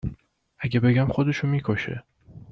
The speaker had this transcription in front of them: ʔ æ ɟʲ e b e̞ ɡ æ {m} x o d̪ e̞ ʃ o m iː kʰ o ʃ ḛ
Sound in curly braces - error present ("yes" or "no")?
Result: no